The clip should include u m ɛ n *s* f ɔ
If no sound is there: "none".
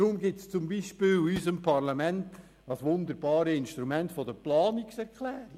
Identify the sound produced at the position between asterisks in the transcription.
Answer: t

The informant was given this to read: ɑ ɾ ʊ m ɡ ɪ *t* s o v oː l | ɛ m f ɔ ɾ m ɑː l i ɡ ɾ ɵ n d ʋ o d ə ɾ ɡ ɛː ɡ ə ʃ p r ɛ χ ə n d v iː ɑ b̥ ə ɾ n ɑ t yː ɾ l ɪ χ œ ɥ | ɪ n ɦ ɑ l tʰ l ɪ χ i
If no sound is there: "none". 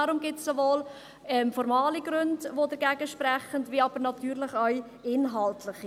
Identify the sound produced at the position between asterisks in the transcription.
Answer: t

